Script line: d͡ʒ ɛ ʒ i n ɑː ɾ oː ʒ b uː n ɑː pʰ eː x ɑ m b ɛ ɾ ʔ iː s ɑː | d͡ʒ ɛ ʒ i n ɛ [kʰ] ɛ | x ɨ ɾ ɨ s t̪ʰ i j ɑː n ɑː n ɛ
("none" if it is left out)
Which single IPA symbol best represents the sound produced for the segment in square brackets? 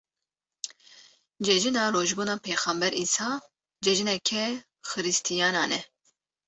kʰ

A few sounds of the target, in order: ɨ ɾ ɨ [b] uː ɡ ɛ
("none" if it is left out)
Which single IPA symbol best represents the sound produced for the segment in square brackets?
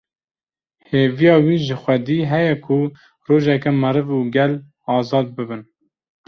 v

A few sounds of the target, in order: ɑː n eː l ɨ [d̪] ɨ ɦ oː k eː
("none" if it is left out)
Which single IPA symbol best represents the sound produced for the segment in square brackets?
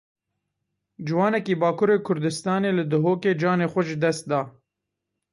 d̪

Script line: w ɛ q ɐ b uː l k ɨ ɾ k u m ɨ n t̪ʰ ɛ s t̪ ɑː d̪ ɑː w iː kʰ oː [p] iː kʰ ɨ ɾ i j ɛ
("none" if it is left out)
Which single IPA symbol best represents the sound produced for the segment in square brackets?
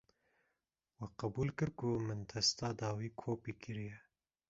p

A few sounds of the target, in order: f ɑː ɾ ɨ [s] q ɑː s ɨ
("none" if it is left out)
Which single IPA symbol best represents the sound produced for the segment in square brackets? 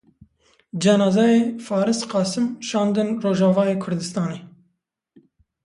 s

